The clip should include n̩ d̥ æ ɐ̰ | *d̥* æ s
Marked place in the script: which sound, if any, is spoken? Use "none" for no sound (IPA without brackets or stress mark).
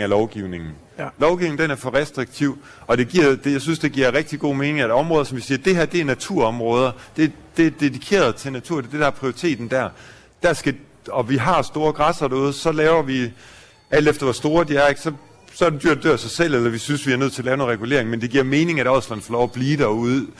d̥